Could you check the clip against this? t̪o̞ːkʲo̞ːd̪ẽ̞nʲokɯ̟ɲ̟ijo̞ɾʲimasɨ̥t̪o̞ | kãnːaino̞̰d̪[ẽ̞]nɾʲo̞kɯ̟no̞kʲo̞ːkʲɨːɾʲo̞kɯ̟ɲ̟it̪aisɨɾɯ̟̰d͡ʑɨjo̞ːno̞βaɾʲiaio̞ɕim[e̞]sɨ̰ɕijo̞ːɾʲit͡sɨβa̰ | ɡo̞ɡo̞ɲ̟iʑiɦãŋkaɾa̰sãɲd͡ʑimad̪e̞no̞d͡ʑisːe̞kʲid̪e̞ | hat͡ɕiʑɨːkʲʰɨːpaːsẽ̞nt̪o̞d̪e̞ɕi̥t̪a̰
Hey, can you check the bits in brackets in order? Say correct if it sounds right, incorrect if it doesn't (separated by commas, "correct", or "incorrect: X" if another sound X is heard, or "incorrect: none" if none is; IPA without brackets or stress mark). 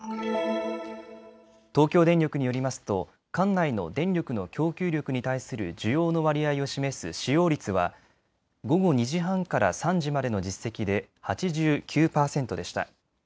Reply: correct, correct